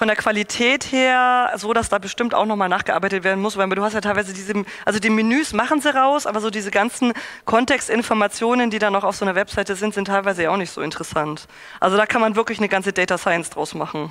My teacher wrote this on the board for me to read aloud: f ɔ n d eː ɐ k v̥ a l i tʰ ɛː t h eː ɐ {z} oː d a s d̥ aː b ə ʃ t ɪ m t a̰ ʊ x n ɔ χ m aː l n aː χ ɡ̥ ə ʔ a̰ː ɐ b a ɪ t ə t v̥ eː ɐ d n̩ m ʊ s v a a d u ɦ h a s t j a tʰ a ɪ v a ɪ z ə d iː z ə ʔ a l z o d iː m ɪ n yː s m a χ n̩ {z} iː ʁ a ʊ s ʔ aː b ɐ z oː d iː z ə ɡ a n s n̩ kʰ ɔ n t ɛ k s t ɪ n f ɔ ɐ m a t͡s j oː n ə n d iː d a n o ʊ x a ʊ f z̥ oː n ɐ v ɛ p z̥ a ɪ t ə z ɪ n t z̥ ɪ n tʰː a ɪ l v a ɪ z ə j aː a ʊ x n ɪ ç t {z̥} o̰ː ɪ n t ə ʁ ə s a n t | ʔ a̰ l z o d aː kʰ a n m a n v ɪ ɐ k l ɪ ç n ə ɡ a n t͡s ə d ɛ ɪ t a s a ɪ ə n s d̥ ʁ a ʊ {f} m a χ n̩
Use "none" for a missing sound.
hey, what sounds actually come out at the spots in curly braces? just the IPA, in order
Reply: z, z, z̥, s

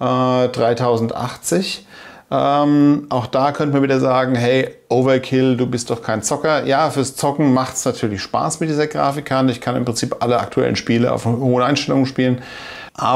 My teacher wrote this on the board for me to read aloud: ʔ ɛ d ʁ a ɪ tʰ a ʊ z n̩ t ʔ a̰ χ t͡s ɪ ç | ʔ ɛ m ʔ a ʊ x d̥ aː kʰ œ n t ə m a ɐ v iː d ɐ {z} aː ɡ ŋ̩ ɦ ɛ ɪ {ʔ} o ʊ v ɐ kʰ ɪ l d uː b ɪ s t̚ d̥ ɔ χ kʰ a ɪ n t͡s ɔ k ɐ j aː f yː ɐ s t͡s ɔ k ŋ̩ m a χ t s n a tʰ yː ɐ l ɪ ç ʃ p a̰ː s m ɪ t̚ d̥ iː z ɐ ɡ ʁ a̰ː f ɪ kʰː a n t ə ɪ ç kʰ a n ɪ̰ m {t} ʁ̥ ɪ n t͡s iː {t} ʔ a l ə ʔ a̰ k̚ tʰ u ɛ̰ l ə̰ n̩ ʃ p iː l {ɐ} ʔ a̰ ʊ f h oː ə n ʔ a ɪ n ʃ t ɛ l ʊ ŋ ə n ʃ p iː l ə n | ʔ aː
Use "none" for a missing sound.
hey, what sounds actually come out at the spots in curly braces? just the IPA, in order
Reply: z, ʔ, p, p, ə

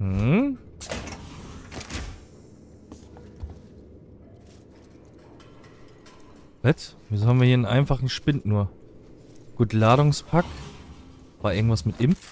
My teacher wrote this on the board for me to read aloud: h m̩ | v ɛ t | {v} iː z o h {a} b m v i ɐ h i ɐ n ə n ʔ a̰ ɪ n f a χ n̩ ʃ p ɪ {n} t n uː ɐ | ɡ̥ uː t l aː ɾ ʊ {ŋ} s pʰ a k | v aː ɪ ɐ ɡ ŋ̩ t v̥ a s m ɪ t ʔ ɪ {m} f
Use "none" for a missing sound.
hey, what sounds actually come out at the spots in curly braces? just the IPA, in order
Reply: v, a, n, ŋ, m

